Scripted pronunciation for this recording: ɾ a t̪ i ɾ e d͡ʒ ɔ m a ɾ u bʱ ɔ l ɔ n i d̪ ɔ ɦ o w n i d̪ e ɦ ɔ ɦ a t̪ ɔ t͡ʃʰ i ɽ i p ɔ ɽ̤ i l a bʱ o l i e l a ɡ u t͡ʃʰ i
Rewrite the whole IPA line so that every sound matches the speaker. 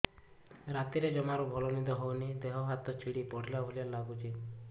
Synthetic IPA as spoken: ɾ a t̪ i ɾ e d͡ʒ ɔ m a ɾ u bʱ ɔ l ɔ n i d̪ ɔ ɦ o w n i d̪ e ɦ ɔ ɦ a t̪ ɔ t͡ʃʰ i ɽ i p ɔ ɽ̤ i l a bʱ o l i a l a ɡ u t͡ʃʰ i